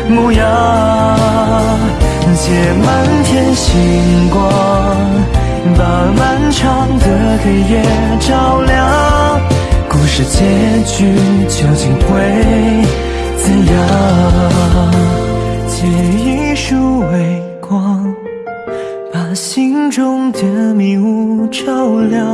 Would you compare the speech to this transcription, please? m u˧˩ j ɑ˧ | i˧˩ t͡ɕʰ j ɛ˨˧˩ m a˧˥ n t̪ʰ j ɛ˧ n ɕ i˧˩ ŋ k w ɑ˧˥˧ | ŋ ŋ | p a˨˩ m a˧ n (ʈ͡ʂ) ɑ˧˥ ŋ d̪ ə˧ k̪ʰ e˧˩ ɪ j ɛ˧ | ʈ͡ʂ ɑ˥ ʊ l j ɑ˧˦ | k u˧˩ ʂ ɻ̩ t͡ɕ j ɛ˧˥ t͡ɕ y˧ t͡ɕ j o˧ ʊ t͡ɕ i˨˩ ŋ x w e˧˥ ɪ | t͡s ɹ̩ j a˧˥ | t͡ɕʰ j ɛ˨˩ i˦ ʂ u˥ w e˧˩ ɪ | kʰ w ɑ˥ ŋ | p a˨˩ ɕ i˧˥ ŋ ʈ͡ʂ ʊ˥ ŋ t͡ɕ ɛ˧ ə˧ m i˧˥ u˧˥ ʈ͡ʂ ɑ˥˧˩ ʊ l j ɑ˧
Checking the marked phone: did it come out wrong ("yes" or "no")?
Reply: yes